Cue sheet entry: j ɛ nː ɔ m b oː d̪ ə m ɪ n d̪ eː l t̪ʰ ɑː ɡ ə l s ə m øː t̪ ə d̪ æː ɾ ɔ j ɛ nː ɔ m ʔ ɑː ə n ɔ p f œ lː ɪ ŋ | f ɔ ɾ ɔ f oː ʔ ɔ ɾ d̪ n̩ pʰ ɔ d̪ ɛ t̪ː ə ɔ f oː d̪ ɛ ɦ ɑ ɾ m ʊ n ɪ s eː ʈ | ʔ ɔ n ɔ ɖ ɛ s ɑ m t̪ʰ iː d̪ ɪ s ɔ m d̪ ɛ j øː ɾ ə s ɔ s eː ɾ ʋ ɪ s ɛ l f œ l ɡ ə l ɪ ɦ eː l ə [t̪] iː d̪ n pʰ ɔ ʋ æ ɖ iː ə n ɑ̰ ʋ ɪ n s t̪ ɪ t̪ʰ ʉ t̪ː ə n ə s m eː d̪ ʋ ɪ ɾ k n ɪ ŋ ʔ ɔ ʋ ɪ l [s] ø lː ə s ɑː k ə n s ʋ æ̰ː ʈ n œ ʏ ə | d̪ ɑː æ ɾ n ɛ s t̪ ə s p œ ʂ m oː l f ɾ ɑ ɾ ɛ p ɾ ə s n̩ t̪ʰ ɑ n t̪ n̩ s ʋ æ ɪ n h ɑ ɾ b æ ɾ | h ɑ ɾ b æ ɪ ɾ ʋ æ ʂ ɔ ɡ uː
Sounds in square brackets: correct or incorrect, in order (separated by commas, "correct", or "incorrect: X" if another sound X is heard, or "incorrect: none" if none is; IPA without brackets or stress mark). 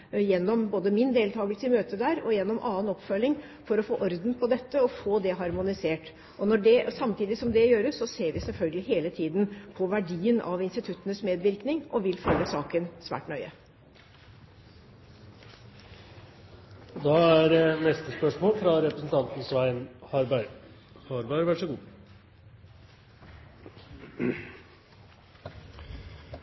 incorrect: t̪ʰ, incorrect: f